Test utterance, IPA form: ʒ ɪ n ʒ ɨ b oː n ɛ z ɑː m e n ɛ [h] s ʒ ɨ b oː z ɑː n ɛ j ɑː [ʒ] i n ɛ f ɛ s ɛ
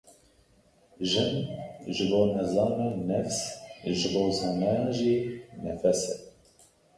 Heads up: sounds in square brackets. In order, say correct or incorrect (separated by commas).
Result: incorrect, correct